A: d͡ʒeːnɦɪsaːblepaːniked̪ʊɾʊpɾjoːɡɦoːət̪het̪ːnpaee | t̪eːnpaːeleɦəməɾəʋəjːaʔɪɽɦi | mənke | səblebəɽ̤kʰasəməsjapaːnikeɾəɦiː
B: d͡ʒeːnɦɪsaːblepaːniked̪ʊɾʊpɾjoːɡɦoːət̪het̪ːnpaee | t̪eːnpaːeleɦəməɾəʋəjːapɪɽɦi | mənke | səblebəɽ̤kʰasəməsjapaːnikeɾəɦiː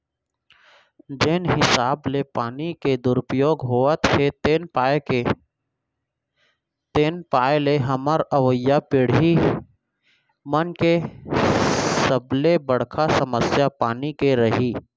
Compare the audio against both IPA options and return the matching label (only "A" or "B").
B